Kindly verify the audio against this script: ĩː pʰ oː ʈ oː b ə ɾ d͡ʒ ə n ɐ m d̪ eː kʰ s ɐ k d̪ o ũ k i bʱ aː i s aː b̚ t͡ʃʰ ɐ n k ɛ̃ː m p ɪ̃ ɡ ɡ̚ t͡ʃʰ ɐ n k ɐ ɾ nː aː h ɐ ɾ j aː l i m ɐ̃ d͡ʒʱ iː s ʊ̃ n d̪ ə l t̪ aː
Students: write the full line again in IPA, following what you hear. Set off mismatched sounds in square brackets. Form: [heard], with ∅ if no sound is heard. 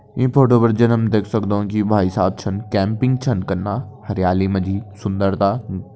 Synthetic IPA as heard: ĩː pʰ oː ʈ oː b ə ɾ d͡ʒ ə n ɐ m d̪ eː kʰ s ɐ k d̪ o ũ k i bʱ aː i s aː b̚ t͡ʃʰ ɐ n k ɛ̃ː m p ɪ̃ [ŋ] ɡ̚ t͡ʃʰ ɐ n k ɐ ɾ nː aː h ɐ ɾ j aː l i m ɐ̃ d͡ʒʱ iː s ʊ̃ n d̪ ə [ɾ] t̪ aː